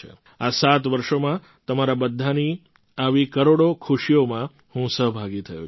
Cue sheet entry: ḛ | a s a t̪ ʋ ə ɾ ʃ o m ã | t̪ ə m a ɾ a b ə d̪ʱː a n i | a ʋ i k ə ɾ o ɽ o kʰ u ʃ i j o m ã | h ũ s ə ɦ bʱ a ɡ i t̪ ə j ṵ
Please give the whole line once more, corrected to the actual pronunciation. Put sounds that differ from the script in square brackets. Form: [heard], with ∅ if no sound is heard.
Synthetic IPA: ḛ | a s a t̪ ʋ ə ɾ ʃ o m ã | t̪ ə m a ɾ a b ə d̪ʱː a n i | a ʋ i k ə ɾ o ɽ o kʰ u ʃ i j o m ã | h ũ s ə ɦ bʱ a ɡ i [t̪ʰ] ə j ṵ